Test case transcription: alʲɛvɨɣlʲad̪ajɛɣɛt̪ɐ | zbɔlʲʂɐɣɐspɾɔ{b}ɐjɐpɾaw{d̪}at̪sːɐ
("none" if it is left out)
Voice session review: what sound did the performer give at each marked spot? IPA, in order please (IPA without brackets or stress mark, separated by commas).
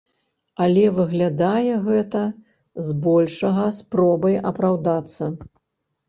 b, d̪